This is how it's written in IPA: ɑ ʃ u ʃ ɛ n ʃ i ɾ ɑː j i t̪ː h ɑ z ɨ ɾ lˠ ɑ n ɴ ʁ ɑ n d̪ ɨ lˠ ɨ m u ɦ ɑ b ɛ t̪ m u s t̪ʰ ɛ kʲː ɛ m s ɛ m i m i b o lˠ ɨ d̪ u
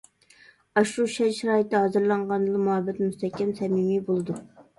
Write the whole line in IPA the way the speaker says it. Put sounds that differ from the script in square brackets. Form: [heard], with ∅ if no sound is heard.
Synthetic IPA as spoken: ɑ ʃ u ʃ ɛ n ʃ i ɾ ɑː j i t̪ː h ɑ z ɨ ɾ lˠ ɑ [∅] ɴ ʁ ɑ n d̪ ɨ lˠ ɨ m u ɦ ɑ b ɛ t̪ m u s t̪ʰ ɛ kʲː ɛ m s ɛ m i m i b o lˠ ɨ d̪ u